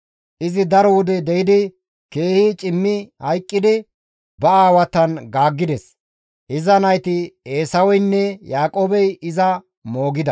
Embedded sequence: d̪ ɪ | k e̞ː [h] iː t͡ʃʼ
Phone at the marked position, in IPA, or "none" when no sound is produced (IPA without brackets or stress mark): h